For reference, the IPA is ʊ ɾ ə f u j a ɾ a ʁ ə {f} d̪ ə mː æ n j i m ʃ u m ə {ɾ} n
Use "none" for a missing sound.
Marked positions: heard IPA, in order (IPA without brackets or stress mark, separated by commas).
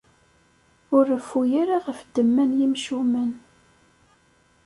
f, none